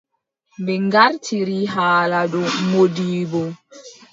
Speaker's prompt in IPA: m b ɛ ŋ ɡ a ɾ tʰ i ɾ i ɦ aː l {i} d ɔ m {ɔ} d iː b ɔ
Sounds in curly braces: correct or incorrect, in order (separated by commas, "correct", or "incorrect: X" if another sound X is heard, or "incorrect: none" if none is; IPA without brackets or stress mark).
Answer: incorrect: a, incorrect: o